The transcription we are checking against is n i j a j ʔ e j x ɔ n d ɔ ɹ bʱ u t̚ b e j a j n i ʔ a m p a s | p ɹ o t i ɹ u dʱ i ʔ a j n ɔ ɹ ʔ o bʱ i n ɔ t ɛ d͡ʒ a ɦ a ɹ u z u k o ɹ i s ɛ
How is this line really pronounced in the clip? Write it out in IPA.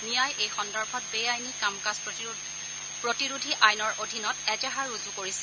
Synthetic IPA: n i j a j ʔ e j x ɔ n d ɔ ɹ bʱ ɔ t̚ b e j a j n i k a m k a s | p ɹ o t i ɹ u dʱ i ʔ a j n ɔ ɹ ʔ o dʱ i n ɔ t ɛ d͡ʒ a ɦ a ɹ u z u k o ɹ i s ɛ